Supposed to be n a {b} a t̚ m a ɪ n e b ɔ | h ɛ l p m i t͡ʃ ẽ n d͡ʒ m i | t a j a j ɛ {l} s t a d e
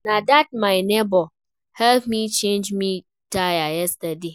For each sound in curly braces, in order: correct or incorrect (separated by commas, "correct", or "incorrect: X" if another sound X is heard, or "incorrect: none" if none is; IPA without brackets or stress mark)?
incorrect: d, incorrect: none